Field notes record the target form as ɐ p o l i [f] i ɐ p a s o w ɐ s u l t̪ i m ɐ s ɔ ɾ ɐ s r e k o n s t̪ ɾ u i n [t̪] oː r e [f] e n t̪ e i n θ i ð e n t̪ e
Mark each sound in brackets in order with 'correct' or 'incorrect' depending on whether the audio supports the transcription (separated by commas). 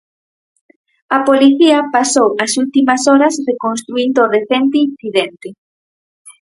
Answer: incorrect, incorrect, incorrect